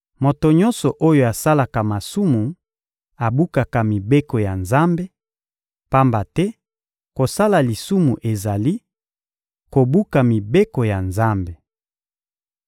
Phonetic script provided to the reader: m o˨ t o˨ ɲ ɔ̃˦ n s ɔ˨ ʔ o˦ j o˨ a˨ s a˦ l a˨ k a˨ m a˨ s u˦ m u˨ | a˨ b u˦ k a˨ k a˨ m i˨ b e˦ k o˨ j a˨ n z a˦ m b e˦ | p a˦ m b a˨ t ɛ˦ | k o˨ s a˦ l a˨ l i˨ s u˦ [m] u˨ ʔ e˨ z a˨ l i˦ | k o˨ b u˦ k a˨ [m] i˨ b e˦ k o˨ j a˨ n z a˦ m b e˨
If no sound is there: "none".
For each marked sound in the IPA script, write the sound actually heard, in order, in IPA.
m, m

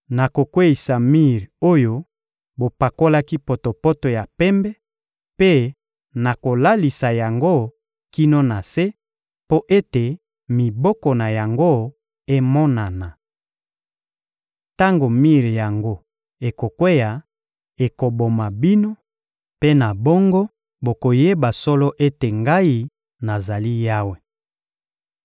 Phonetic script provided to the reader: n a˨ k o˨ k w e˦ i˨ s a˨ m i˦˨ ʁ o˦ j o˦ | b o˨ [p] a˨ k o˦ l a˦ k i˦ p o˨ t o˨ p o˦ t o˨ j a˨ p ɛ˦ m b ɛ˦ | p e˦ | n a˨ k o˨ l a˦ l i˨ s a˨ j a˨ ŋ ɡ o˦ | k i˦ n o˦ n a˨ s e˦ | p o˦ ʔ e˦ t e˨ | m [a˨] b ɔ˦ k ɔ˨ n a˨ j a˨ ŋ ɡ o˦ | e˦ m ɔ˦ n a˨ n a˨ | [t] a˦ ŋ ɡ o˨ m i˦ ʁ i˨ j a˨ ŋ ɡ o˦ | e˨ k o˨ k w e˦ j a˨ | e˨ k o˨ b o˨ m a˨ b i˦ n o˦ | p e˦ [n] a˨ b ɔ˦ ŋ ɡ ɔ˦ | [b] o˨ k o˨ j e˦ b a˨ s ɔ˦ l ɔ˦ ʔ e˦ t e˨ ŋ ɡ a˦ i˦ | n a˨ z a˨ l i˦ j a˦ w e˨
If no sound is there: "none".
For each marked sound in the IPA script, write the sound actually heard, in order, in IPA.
p, i˨, t, n, b

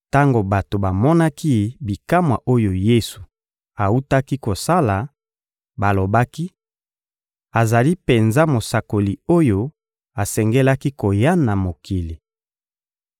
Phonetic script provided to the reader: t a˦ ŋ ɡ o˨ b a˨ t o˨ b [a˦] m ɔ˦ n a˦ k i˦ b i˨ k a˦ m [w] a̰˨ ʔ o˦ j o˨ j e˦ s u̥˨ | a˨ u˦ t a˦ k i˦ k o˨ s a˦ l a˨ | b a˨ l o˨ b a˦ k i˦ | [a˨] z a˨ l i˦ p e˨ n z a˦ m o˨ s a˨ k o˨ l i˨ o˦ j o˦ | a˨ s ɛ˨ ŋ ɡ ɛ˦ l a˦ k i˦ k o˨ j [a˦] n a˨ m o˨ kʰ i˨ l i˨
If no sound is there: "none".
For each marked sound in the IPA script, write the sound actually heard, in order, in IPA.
a˨, w, a˨, a˦

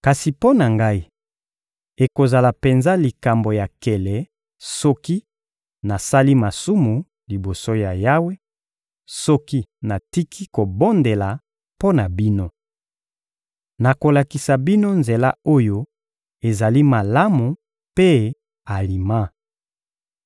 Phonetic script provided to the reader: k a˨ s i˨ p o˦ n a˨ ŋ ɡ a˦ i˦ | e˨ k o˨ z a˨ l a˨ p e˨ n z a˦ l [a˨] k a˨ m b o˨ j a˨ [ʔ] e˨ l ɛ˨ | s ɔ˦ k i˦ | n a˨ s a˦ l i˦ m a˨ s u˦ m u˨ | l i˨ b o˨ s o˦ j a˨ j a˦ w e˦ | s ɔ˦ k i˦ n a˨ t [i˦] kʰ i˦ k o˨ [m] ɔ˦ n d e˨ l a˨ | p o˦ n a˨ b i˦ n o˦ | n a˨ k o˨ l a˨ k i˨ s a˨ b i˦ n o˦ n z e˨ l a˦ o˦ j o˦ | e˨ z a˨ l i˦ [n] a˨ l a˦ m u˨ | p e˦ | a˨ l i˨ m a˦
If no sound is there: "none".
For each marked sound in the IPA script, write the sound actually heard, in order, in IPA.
i˨, k, i˦, b, m

